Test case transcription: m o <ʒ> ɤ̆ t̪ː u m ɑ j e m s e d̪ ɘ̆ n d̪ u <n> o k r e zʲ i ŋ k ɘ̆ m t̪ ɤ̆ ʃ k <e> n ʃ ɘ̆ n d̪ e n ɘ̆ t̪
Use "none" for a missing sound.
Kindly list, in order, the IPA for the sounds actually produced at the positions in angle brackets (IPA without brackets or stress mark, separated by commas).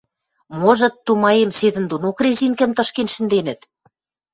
ʒ, n, e